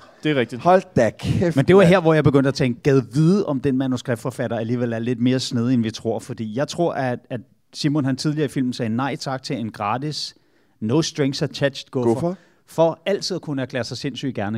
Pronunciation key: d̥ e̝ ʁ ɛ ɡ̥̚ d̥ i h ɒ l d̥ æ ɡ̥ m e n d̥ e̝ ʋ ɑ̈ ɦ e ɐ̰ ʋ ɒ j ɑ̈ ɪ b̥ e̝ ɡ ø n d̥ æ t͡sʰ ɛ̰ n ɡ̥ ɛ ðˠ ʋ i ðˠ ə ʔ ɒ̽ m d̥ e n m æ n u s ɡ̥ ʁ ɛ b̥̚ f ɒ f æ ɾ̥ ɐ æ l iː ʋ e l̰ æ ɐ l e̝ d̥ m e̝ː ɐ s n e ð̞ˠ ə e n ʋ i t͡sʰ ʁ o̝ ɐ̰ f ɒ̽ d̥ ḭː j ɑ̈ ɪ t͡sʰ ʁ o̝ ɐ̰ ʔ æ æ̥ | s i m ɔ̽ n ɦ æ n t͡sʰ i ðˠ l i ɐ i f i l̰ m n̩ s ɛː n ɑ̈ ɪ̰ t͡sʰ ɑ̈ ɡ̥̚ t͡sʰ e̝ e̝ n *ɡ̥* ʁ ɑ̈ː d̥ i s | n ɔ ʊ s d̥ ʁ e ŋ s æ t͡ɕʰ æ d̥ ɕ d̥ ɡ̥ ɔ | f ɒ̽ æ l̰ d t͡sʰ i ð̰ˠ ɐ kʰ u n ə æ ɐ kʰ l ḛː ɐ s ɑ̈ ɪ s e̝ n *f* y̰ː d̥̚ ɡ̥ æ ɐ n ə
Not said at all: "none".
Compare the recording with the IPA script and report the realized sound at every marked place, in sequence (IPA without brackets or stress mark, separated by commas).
ɡ̥, s